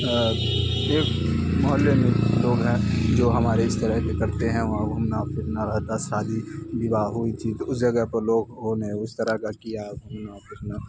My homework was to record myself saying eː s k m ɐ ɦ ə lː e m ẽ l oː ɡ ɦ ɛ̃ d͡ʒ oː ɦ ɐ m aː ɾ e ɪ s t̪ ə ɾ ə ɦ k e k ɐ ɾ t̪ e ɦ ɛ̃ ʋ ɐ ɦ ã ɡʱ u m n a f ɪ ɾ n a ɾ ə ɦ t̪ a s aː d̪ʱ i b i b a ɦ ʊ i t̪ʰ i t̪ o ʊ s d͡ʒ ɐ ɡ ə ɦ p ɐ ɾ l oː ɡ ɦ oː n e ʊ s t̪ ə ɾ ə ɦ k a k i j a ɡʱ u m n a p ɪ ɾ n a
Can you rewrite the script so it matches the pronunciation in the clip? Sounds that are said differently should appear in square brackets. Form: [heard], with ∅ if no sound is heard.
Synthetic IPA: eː [∅] k m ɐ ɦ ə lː e m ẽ l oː ɡ ɦ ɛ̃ d͡ʒ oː ɦ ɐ m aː ɾ e ɪ s t̪ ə ɾ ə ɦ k e k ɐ ɾ t̪ e ɦ ɛ̃ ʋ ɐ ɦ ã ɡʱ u m n a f ɪ ɾ n a ɾ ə ɦ t̪ a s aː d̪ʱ i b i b a ɦ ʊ i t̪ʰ i t̪ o ʊ s d͡ʒ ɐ ɡ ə ɦ p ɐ ɾ l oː ɡ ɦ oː n e ʊ s t̪ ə ɾ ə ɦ k a k i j a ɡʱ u m n a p ɪ ɾ n a